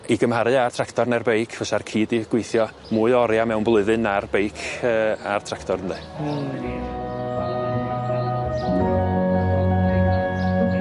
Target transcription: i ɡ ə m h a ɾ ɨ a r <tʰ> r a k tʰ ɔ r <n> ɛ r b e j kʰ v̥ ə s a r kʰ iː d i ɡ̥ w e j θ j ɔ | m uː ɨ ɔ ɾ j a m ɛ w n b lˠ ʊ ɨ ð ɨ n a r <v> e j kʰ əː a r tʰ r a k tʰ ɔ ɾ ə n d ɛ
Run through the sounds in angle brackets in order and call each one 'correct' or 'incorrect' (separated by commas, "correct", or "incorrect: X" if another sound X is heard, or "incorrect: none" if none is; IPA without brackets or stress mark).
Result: correct, correct, incorrect: b